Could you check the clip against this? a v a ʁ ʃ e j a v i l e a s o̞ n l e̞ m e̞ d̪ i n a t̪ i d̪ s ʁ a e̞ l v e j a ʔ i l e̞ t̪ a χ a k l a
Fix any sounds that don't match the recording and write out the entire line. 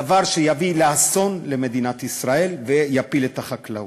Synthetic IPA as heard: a v a ʁ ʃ e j a v i l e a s o̞ n l e̞ m e̞ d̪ i n a t̪ i s ʁ a e̞ l v e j a p i l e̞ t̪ a χ a k l a